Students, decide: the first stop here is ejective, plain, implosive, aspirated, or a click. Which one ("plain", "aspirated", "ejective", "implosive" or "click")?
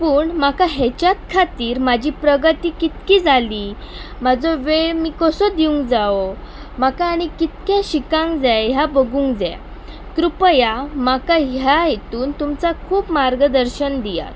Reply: plain